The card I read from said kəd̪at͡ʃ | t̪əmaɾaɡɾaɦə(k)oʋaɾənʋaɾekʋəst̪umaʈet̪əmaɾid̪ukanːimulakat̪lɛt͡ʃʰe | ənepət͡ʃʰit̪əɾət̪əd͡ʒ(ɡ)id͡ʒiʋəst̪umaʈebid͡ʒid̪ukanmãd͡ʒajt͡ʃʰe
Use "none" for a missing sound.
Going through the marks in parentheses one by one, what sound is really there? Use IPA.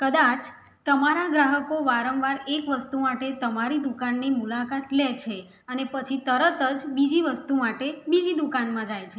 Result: k, b

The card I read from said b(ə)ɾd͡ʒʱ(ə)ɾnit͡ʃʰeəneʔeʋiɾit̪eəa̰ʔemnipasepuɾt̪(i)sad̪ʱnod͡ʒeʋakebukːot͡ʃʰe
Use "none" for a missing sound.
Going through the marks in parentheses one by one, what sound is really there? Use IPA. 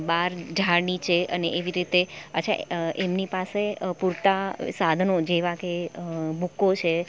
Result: a, a, a

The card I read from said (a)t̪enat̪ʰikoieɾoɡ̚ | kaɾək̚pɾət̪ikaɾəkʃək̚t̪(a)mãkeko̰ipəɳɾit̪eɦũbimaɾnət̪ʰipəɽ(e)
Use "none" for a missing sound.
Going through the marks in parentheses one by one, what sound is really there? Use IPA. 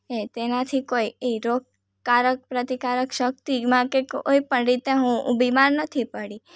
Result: e, i, i

